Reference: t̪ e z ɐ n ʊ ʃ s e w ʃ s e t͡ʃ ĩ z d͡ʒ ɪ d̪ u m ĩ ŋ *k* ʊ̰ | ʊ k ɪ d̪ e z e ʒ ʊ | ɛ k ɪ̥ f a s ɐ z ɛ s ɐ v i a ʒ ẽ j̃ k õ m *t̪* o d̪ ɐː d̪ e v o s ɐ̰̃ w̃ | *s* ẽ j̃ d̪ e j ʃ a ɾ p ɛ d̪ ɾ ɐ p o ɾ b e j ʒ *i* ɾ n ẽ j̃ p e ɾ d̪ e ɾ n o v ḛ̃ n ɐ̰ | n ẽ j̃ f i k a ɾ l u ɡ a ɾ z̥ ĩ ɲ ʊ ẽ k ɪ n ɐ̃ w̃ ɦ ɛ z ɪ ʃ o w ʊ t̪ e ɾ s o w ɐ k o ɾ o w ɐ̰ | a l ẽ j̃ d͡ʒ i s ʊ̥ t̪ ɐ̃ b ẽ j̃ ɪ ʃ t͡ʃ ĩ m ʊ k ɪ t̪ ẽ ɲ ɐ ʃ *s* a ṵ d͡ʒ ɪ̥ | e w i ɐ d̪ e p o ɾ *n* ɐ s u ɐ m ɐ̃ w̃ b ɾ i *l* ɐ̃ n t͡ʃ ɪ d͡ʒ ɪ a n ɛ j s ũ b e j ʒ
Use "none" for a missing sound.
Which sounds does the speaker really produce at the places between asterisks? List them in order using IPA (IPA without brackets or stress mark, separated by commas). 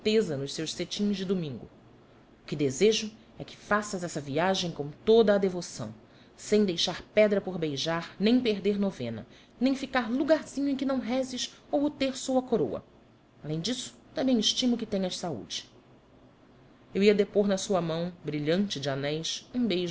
ɡ, t̪, s, a, s, n, ʎ